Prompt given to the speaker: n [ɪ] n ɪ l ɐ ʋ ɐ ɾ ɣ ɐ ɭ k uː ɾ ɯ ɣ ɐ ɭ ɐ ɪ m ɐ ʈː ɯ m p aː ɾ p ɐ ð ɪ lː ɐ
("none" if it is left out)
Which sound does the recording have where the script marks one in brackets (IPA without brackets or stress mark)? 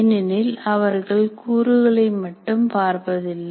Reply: ɪ